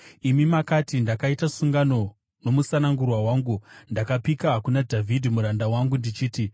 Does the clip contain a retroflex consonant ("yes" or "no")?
no